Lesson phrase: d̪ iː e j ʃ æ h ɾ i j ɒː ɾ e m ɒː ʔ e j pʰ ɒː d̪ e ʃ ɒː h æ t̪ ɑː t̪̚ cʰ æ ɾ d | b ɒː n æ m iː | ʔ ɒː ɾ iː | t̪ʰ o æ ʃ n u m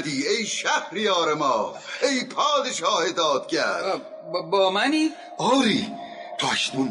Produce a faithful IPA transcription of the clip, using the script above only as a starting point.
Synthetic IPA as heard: d̪ iː e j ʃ æ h ɾ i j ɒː ɾ e m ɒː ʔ e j pʰ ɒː d̪ e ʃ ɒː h e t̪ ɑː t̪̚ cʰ æ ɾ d | b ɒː m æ n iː | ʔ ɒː ɾ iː | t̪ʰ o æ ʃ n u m